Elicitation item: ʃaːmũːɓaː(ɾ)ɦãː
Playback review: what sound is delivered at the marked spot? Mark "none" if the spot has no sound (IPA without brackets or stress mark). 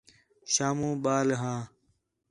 l